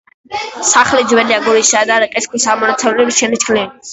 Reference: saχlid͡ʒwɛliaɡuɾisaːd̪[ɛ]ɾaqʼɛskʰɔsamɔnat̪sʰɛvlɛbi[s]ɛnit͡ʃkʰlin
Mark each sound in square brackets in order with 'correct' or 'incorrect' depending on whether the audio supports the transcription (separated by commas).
incorrect, incorrect